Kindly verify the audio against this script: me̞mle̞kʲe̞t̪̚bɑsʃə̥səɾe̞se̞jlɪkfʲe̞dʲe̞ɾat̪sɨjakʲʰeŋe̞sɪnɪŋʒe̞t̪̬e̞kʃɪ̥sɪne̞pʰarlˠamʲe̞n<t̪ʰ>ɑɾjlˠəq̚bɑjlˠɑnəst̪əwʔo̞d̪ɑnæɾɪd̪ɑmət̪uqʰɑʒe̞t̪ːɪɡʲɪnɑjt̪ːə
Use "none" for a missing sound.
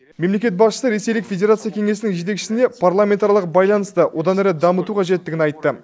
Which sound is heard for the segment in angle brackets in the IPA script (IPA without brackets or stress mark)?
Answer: t̪